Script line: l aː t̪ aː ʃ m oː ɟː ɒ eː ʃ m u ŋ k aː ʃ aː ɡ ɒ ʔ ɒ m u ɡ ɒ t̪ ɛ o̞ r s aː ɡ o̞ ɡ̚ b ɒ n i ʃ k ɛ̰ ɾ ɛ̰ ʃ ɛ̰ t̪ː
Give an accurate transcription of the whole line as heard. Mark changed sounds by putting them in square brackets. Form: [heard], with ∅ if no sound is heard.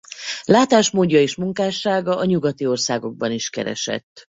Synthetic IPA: l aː t̪ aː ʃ m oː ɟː ɒ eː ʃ m u ŋ k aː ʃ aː ɡ ɒ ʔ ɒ [ɲ] u ɡ ɒ t̪ [i] o̞ r s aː ɡ o̞ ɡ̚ b ɒ n i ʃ k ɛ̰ ɾ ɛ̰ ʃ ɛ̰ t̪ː